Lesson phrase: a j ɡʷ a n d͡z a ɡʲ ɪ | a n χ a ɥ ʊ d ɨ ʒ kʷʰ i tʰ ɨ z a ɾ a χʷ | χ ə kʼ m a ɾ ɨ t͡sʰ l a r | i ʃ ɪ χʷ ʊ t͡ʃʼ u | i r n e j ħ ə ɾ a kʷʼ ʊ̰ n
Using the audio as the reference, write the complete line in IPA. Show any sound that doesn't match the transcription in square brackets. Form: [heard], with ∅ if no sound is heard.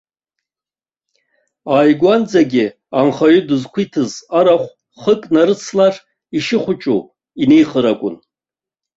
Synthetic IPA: a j ɡʷ a n d͡z a ɡʲ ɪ | a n χ a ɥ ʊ d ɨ [z] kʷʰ i tʰ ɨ z a ɾ a χʷ | χ ə kʼ [n] a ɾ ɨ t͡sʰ l a r | i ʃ ɪ χʷ ʊ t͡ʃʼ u | i [∅] n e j [χ] ə ɾ a kʷʼ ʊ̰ n